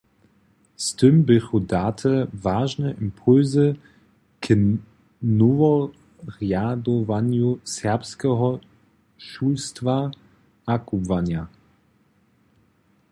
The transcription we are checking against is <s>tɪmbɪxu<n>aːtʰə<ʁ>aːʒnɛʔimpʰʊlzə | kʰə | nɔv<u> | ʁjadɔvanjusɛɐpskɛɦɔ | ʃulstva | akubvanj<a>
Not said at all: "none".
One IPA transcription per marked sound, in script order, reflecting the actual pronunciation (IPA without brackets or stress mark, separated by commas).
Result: s, d, v, ɔ, a